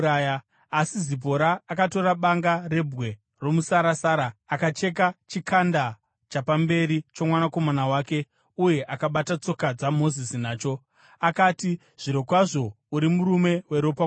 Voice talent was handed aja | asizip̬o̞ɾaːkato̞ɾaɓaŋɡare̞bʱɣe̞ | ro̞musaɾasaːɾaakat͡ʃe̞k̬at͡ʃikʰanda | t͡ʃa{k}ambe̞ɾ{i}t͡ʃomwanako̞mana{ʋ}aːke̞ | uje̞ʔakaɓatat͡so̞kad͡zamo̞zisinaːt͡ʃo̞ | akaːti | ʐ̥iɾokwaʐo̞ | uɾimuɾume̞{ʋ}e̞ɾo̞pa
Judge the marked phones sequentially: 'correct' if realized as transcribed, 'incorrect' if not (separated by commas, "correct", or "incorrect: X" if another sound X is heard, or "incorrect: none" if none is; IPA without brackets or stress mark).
incorrect: p, correct, incorrect: w, incorrect: w